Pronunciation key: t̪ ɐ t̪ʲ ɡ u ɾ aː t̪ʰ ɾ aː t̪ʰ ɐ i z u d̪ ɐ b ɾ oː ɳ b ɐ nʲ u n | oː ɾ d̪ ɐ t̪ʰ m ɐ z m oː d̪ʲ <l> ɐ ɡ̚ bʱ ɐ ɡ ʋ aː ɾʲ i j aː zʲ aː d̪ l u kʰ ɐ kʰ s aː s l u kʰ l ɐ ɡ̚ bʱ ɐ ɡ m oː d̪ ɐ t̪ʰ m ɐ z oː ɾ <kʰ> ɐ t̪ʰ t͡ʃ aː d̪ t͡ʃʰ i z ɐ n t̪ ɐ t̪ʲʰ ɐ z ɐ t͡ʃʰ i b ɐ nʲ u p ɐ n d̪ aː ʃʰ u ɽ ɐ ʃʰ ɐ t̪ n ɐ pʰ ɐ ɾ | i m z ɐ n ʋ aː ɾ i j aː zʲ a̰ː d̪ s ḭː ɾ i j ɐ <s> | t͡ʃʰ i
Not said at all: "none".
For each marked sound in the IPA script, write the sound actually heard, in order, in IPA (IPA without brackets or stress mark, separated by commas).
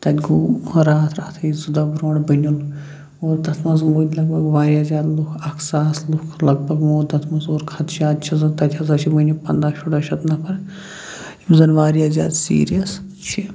l, kʰ, s